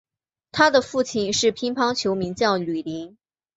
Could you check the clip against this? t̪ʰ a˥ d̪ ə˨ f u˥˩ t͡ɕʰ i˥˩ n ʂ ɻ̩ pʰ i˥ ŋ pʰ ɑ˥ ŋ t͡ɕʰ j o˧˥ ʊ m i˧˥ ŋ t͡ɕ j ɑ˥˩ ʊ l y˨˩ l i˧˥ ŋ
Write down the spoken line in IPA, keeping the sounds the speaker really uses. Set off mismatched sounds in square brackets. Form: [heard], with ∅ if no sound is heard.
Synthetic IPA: t̪ʰ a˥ d̪ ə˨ f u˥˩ t͡ɕʰ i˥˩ n ʂ ɻ̩ pʰ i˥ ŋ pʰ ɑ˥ ŋ t͡ɕʰ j o˧˥ ʊ m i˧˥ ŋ t͡ɕ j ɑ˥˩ ʊ l y˨˩ l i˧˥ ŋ

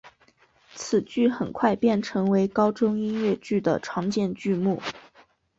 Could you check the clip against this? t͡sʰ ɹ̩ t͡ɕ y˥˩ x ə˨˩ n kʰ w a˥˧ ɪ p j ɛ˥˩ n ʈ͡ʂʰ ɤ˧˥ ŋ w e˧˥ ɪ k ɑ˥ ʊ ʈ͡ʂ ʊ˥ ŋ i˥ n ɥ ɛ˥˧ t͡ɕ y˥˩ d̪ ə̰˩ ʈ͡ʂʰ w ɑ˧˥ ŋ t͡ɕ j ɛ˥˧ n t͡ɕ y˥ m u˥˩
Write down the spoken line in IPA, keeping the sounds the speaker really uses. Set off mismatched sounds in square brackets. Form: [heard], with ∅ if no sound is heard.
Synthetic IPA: t͡sʰ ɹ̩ t͡ɕ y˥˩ x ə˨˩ n kʰ w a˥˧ ɪ p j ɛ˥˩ n ʈ͡ʂʰ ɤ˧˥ ŋ w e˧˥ ɪ k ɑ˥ ʊ ʈ͡ʂ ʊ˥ ŋ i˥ n ɥ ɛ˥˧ t͡ɕ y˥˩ d̪ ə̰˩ ʈ͡ʂʰ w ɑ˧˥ ŋ t͡ɕ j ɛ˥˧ n t͡ɕ [y˥˧] m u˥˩

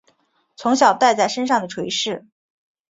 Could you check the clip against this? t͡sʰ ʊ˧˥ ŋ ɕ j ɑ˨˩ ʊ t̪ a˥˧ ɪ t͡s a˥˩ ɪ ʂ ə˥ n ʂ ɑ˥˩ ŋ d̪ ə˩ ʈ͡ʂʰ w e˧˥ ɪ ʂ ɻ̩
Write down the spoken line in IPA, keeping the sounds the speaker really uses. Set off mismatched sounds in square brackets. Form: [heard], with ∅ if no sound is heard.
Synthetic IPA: t͡sʰ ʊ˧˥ ŋ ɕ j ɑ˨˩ ʊ t̪ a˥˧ ɪ t͡s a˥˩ ɪ ʂ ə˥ n ʂ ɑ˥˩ ŋ d̪ ə˩ ʈ͡ʂʰ w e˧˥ ɪ ʂ ɻ̩

